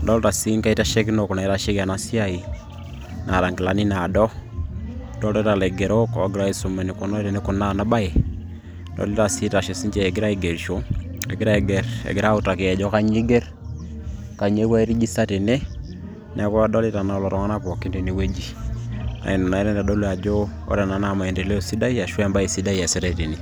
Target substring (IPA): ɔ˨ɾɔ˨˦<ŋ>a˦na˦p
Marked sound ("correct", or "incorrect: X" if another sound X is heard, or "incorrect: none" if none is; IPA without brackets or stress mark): correct